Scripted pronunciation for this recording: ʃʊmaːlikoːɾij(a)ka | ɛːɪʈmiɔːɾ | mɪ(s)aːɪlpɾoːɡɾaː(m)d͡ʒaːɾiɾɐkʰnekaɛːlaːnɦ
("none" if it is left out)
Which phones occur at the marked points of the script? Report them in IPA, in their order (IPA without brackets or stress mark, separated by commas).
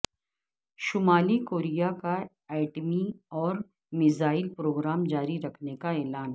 a, z, m